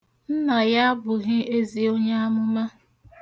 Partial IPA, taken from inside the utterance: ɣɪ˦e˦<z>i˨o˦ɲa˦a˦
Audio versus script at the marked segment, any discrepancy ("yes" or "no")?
no